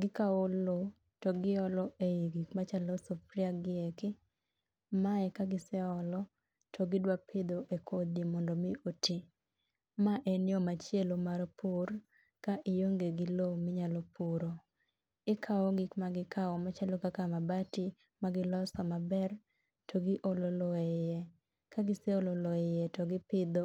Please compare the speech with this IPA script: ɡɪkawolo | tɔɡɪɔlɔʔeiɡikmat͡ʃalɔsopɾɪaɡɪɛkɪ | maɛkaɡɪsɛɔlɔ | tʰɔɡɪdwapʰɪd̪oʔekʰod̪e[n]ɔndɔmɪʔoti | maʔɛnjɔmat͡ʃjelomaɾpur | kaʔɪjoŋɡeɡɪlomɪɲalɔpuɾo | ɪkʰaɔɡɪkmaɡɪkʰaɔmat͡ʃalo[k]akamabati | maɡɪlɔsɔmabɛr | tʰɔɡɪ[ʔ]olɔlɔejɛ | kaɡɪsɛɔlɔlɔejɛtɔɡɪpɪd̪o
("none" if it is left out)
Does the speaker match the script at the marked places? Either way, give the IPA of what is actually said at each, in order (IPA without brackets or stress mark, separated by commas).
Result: m, k, ʔ